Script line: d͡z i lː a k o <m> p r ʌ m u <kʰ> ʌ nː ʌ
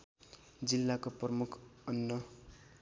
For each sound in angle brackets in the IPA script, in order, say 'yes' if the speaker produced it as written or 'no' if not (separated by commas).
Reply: no, yes